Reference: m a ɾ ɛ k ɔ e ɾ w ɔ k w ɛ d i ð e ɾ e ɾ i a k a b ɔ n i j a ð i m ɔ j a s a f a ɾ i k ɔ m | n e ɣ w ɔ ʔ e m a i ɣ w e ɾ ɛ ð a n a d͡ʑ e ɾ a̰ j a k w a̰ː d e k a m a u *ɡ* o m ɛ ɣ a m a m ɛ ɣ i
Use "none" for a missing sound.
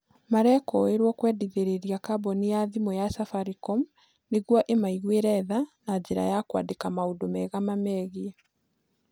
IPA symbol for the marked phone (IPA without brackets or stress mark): d